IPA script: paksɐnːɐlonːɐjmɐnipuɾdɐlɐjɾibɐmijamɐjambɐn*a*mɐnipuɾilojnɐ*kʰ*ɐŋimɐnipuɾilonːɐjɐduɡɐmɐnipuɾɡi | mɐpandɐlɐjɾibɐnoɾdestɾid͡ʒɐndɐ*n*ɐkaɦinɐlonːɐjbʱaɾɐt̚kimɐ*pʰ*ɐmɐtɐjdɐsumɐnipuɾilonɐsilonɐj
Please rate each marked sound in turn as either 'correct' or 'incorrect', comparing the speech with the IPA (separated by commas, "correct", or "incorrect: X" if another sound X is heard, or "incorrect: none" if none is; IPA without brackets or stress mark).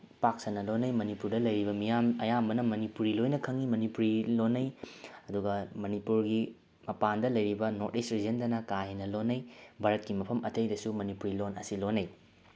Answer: incorrect: ɐ, correct, correct, correct